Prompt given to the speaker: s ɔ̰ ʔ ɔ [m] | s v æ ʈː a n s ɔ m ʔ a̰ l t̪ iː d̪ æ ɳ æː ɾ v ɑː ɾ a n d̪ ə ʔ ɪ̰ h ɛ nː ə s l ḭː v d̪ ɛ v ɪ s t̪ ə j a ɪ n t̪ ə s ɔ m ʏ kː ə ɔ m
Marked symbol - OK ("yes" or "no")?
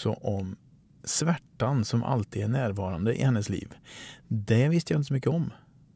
yes